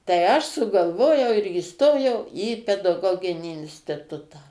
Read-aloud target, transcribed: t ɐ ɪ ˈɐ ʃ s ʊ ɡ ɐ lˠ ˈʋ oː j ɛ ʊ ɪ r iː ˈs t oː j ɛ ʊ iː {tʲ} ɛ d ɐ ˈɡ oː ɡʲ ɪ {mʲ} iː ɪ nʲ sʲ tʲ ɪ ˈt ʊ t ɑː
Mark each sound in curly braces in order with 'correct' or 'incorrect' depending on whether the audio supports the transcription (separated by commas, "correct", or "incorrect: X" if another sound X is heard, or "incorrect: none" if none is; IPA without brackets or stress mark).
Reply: incorrect: pʲ, incorrect: nʲ